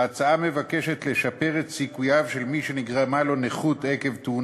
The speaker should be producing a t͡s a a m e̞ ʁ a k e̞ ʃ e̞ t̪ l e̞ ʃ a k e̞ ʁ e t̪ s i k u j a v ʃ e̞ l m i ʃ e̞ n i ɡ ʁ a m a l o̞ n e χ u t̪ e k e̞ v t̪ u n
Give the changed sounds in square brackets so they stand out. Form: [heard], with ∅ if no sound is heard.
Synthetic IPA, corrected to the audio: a t͡s a a m e̞ [v] a k e̞ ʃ e̞ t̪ l e̞ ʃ a [p] e̞ ʁ e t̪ s i k u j a v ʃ e̞ l m i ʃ e̞ n i ɡ ʁ a m a l o̞ n e χ u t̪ e k e̞ v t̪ u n